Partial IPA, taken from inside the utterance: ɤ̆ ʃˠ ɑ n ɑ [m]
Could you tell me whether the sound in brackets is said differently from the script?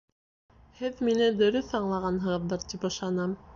no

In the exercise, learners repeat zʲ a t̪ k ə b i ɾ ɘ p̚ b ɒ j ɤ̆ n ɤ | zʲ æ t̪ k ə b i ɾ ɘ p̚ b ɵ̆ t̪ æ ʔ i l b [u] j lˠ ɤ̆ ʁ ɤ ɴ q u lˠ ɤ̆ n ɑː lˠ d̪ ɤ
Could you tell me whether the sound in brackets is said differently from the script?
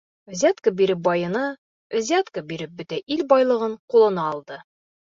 yes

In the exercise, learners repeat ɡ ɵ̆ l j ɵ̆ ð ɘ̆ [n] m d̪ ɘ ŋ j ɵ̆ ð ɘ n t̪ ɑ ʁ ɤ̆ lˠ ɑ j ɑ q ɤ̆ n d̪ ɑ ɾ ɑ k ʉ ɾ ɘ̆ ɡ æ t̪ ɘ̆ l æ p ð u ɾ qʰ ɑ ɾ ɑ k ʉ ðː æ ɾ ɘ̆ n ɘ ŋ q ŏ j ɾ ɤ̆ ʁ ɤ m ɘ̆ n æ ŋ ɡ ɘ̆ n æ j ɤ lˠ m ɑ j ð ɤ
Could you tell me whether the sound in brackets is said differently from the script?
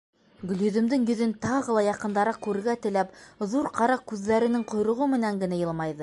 yes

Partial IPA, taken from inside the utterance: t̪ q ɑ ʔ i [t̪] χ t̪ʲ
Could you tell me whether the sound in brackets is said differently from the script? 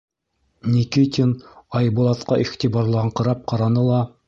yes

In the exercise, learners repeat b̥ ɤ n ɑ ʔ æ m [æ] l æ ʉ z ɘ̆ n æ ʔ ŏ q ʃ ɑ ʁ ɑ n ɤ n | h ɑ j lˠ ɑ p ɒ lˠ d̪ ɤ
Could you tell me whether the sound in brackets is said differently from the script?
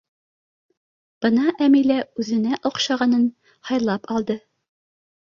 yes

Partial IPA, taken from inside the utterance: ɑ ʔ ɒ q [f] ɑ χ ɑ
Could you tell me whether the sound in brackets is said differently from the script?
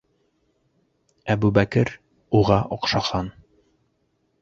yes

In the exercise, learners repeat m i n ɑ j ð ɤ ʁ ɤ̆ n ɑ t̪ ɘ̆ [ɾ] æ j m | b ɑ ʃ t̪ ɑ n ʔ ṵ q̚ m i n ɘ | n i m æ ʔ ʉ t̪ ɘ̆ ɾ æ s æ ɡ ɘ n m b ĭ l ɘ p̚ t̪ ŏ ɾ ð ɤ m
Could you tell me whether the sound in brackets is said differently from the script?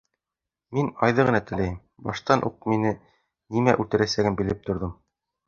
yes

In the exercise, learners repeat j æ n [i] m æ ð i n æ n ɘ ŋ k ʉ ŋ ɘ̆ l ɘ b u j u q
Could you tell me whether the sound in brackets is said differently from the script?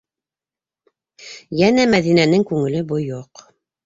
yes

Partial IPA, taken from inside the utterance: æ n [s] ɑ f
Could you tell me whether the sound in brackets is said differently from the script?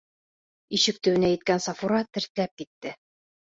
no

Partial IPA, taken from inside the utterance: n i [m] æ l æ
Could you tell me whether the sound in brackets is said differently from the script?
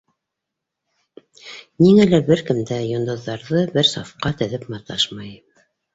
yes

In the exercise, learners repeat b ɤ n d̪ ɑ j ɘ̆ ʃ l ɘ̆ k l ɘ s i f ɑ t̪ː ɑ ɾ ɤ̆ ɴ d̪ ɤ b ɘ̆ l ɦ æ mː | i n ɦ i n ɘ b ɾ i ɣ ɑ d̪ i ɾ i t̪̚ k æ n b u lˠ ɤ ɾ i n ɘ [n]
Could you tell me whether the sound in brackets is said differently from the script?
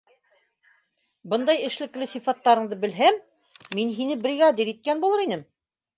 yes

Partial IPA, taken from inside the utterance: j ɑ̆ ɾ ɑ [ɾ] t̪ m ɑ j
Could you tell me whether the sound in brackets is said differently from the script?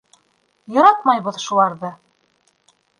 yes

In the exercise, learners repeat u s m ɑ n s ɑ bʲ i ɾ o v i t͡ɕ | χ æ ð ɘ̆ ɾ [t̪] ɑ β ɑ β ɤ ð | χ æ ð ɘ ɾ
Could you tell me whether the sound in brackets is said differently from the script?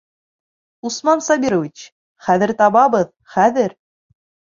no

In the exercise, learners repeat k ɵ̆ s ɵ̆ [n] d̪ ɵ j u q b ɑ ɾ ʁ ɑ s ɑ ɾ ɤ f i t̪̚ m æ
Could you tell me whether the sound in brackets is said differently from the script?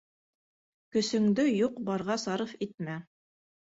yes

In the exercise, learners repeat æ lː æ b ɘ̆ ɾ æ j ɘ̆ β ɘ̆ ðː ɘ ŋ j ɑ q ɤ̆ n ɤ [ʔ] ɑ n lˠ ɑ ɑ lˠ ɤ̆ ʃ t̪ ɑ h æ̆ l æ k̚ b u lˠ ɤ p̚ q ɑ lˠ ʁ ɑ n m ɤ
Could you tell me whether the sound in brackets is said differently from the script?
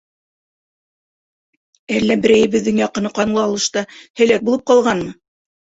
yes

